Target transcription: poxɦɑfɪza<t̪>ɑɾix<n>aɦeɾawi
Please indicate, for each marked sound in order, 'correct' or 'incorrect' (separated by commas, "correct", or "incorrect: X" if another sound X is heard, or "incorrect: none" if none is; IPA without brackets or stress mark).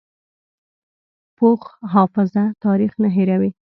correct, correct